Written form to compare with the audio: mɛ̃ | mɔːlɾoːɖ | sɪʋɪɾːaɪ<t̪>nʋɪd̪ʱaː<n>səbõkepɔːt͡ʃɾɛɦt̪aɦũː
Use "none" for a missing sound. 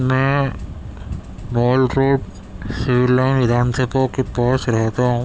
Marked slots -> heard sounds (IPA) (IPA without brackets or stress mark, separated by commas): none, n